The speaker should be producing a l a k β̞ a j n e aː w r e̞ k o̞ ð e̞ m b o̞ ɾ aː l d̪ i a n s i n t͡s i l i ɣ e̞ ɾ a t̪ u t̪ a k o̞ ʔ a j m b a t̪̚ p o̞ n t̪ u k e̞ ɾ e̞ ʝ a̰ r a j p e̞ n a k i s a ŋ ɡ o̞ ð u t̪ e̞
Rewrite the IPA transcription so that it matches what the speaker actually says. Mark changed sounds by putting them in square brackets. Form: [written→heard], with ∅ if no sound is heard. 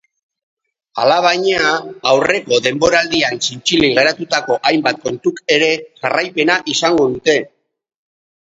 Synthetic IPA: a l a [k→∅] β̞ a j [n→ɲ] e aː w r e̞ k o̞ ð e̞ m b o̞ ɾ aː l d̪ i a n s i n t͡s i l i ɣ e̞ ɾ a t̪ u t̪ a k o̞ ʔ a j m b a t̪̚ [p→k] o̞ n t̪ u k e̞ ɾ e̞ ʝ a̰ r a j p e̞ n a [k→ʔ] i s a ŋ ɡ o̞ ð u t̪ e̞

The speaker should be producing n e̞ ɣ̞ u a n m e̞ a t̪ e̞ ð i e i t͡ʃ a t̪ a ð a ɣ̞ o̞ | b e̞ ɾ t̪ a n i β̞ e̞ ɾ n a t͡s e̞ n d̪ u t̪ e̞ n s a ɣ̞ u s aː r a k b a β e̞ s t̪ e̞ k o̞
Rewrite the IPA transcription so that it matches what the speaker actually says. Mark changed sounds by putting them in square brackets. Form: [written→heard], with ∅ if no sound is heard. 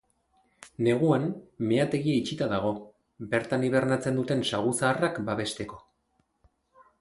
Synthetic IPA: n e̞ ɣ̞ u a n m e̞ a t̪ e̞ [ð→ɣ] i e i t͡ʃ [a→i] t̪ a ð a ɣ̞ o̞ | b e̞ ɾ t̪ a n i β̞ e̞ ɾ n a t͡s e̞ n d̪ u t̪ e̞ n s a ɣ̞ u s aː r a k b a β e̞ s t̪ e̞ k o̞

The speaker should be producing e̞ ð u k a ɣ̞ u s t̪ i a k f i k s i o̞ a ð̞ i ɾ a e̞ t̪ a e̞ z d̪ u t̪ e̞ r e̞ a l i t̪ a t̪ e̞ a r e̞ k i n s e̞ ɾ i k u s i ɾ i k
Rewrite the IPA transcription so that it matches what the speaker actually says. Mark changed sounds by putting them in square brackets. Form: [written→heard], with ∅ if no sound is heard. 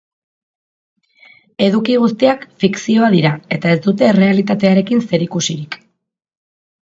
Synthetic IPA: e̞ ð u k [a→i] ɣ̞ u s t̪ i a k f i k s i o̞ a ð̞ i ɾ a e̞ t̪ a e̞ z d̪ u t̪ e̞ r e̞ a l i t̪ a t̪ e̞ a [r→ɾ] e̞ k i n s e̞ ɾ i k u s i ɾ i k

